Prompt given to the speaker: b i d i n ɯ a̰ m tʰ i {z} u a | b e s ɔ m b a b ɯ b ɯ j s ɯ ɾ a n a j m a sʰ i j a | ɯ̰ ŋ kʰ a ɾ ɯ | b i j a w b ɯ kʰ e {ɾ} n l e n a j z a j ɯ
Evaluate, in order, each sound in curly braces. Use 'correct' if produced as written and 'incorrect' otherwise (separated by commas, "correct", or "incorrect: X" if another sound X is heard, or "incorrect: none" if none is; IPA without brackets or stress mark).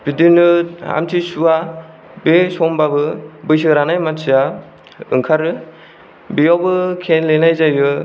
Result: incorrect: s, incorrect: none